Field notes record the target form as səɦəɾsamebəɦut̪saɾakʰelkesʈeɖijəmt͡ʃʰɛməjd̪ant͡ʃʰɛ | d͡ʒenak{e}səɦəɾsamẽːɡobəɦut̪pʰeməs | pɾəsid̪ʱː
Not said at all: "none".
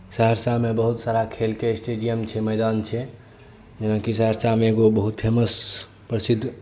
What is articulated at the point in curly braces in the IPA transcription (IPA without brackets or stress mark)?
i